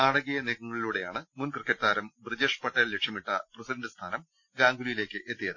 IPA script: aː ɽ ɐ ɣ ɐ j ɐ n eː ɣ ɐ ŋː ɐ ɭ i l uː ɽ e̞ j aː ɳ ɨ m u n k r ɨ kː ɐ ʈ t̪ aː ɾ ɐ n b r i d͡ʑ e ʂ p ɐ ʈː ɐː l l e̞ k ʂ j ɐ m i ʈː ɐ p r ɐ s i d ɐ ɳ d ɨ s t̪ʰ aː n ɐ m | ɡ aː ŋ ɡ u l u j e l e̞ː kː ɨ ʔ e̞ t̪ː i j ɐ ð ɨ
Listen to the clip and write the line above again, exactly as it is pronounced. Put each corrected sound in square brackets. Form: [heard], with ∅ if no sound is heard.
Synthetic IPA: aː ɽ ɐ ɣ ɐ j ɐ n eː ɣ ɐ ŋː ɐ ɭ i l uː ɽ e̞ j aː ɳ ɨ m u n k r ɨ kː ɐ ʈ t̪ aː ɾ ɐ [m] b r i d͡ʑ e ʂ p ɐ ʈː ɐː l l e̞ k ʂ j ɐ m i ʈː ɐ p r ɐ s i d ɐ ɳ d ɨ s t̪ʰ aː n ɐ m | ɡ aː ŋ ɡ u l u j [i] l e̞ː kː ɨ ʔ e̞ t̪ː i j ɐ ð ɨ